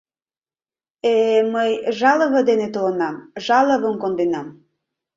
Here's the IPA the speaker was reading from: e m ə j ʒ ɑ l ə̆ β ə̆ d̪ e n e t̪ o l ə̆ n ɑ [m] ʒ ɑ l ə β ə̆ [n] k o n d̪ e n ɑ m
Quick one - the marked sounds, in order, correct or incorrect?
correct, incorrect

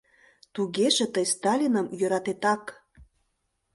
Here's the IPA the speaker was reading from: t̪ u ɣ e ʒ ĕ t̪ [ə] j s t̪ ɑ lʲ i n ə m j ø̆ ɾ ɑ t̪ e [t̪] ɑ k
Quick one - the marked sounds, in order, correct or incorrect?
correct, correct

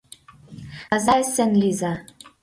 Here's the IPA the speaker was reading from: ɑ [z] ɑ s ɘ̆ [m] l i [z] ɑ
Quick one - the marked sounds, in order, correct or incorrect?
correct, incorrect, correct

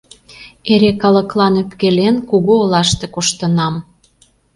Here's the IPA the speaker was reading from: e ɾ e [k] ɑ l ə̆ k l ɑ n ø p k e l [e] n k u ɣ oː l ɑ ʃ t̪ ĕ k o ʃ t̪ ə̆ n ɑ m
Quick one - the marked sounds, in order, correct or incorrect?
correct, correct

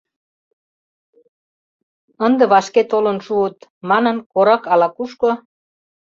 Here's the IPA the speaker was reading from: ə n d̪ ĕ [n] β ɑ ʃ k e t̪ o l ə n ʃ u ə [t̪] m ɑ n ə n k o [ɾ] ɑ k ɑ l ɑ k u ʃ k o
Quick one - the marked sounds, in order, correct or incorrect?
incorrect, correct, correct

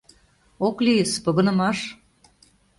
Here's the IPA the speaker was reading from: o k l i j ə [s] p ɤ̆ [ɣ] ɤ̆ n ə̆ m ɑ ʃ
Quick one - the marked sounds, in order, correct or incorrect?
correct, correct

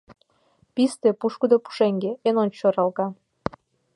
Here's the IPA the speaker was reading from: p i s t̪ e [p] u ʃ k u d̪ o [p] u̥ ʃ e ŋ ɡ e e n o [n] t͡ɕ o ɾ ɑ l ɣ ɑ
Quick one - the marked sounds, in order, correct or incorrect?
correct, correct, correct

